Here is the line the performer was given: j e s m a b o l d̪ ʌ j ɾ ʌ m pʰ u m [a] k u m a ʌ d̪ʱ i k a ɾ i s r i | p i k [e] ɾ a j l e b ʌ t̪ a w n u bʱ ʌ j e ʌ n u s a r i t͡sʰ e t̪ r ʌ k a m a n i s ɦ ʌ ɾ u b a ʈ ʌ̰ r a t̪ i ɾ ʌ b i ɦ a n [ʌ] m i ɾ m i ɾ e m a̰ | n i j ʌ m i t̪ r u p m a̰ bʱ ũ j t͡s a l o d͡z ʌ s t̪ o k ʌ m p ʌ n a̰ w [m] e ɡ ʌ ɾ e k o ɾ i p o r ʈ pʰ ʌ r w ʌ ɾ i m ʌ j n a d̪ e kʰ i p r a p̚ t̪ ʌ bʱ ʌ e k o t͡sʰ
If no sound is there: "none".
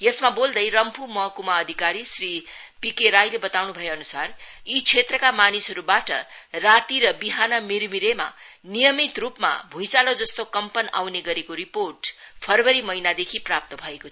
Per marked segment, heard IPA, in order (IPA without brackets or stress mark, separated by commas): ʌ, e, ʌ, n